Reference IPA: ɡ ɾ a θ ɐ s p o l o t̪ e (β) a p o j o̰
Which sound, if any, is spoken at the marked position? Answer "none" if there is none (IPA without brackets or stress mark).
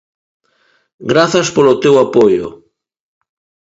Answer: w